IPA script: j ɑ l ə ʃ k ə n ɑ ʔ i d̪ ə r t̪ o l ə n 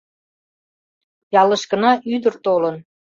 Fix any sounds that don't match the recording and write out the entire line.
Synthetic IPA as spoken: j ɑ l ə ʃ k ə n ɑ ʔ y d̪ ə r t̪ o l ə n